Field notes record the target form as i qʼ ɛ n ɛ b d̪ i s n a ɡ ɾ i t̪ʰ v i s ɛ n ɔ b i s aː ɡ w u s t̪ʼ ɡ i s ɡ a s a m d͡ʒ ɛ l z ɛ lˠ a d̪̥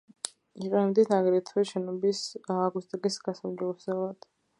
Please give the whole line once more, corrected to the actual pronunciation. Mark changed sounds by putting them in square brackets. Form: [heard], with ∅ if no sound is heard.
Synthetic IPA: i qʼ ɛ n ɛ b d̪ i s n a ɡ ɾ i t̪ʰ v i [ʃ] ɛ n ɔ b i s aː ɡ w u s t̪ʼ ɡ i s ɡ a s a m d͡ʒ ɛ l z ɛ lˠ a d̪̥